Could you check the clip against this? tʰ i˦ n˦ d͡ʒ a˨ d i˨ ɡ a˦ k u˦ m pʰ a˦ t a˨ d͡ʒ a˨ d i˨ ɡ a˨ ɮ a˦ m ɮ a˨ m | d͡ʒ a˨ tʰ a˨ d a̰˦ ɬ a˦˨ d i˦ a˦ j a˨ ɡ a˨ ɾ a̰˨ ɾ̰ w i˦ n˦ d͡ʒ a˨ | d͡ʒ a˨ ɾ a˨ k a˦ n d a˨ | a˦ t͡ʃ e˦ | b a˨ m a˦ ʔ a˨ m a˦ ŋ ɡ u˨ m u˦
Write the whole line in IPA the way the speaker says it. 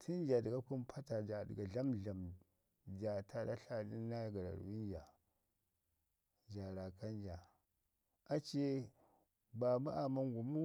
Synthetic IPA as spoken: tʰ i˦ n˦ d͡ʒ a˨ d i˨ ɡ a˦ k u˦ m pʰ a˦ t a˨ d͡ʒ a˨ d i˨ ɡ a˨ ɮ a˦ m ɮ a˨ m | d͡ʒ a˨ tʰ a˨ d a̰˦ ɬ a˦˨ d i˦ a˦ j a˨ ɡ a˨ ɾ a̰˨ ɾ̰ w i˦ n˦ d͡ʒ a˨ | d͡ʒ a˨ ɾ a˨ k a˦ n d͡ʒ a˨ | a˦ t͡ʃ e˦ | b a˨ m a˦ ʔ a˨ m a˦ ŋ ɡ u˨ m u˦